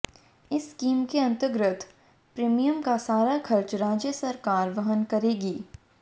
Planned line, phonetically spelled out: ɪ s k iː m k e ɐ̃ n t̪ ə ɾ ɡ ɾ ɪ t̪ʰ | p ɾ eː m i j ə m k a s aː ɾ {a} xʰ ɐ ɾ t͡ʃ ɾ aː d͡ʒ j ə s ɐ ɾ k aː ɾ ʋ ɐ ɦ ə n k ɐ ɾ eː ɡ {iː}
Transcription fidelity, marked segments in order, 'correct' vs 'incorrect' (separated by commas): correct, correct